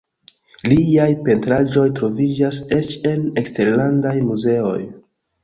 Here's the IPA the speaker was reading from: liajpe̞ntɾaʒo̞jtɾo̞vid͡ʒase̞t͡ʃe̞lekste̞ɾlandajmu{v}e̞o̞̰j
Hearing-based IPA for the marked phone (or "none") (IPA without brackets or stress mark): z